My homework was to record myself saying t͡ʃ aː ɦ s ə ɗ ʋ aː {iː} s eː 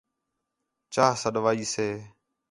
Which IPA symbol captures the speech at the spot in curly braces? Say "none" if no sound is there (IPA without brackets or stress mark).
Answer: iː